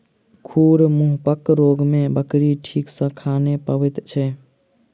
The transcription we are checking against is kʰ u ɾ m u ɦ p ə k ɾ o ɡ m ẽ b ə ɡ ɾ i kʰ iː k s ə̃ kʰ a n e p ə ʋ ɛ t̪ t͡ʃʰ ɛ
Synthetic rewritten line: kʰ u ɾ m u ɦ p ə k ɾ o ɡ m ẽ b ə k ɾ i ʈʰ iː k s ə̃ kʰ a n e p ə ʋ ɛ t̪ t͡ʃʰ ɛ